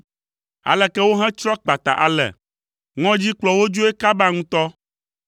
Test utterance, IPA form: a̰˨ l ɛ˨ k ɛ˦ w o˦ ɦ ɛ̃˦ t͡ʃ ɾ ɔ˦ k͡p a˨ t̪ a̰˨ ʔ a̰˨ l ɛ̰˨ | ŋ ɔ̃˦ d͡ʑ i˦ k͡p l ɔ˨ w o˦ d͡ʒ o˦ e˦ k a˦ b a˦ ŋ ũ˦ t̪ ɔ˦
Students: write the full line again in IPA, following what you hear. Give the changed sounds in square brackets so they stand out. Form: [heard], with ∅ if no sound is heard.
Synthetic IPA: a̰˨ l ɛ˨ k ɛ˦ w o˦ ɦ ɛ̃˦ t͡ʃ ɾ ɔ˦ k͡p a˨ t̪ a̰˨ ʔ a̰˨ l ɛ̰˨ | ŋ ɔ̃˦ d͡ʑ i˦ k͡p l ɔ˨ w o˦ d͡ʒ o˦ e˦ k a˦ b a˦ ŋ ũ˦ t̪ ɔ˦